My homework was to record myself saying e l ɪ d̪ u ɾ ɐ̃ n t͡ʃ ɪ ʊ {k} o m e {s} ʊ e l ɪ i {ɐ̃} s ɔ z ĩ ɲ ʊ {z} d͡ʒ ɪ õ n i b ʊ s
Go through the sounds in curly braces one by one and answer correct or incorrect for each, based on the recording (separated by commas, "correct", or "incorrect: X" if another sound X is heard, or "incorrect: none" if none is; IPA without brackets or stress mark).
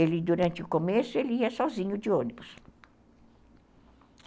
correct, correct, incorrect: ɐ, incorrect: none